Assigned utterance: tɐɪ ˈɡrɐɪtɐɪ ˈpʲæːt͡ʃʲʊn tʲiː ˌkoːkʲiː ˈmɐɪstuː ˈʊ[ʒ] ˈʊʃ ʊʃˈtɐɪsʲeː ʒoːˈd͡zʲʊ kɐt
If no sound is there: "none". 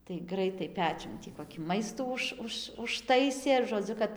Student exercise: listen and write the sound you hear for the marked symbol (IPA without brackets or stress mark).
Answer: ʃ